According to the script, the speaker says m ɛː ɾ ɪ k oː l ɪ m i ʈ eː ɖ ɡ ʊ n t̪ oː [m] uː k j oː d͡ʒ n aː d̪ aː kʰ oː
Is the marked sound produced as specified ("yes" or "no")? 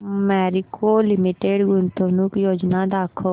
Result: no